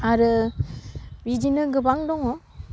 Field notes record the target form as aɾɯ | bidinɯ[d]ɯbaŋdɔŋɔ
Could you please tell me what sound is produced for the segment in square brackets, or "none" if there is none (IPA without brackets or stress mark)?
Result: ɡ